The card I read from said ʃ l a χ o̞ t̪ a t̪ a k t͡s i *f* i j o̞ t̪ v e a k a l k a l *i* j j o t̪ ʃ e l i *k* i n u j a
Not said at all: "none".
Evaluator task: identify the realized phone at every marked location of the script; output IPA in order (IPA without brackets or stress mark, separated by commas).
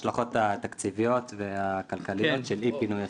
v, i, p